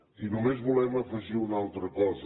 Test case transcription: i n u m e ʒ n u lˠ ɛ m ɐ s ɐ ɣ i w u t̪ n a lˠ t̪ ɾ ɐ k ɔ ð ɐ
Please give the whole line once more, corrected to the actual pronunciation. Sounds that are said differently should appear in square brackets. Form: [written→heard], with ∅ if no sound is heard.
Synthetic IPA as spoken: i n u m e ʒ [n→m] u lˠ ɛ m ɐ [s→f] ɐ [ɣ→ʒ] i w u [t̪→∅] n a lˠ t̪ ɾ ɐ k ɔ [ð→z] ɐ

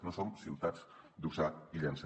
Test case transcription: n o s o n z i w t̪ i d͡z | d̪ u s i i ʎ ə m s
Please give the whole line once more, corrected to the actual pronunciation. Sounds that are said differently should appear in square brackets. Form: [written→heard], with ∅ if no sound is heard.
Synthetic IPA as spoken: n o s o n [z→s] i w t̪ [i→a] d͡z | d̪ u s [i→a] i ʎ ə [m→n] s

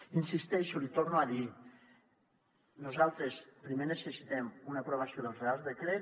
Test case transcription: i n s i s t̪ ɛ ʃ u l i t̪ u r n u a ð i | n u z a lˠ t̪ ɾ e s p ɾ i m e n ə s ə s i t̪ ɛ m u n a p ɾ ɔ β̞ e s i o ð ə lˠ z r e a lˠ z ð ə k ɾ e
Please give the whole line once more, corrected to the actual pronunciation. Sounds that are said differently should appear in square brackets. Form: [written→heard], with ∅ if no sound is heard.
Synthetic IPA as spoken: i n s i s t̪ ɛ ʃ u l i t̪ [u→o] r n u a ð i | n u z a lˠ t̪ ɾ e s p ɾ i m e n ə s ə s i t̪ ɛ m u n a p ɾ [ɔ→o] β̞ [e→a] s i o ð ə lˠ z r e a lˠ z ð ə k ɾ e

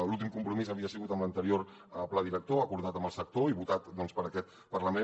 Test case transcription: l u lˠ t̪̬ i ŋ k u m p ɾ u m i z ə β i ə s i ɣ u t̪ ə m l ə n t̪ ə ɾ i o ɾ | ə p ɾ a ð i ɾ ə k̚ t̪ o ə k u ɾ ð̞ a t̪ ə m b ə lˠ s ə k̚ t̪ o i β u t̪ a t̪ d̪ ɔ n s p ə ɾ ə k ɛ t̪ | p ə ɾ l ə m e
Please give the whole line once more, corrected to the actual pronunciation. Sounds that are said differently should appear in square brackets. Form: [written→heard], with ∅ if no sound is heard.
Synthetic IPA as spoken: l u lˠ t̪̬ i [ŋ→m] k u m p ɾ u m i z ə β i ə s i ɣ u t̪ ə m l ə n t̪ ə ɾ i o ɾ | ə p [ɾ→l] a ð i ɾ ə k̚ t̪ o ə k u ɾ ð̞ a t̪ ə m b ə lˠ s ə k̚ t̪ o i β u t̪ a t̪ d̪ ɔ n s p ə ɾ ə k ɛ t̪ | p ə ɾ l ə m e

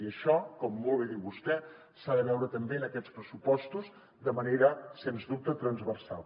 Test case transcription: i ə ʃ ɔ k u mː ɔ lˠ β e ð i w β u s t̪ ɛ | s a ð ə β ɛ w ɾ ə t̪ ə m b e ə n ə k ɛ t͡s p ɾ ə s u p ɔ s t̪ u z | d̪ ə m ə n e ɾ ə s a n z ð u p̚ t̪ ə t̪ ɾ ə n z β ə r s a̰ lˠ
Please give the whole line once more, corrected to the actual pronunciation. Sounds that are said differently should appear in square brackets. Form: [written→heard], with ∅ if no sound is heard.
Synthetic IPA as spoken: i ə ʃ ɔ k [u→ɔ] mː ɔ lˠ β e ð i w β u s t̪ ɛ | s a ð ə β ɛ w ɾ ə t̪ ə m b e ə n ə k ɛ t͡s p ɾ ə s u p ɔ s t̪ u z | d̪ ə m ə n e ɾ ə s [a→e] n z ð u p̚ t̪ ə t̪ ɾ ə n z β ə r s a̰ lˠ

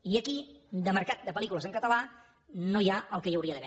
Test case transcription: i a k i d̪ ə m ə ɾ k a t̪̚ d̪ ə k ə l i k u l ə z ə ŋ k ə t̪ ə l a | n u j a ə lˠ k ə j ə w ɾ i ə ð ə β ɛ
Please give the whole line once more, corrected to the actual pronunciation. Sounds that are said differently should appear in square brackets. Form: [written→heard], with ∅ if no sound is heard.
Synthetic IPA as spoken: i [a→ə] k i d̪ ə m ə ɾ k a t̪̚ d̪ ə [k→p] ə l i k u l ə z ə ŋ k ə t̪ ə l a | n [u→o] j a ə lˠ k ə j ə w ɾ i ə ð ə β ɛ

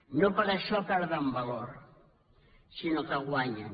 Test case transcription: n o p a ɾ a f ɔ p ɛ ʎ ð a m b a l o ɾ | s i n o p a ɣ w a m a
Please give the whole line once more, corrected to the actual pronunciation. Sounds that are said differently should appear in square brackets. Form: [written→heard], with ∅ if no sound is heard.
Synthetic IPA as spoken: n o p a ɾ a [f→ʃ] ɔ p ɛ [ʎ→ɾ] ð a m b a l o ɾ | s i n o [p→k] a ɣ w a [m→ɲ] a

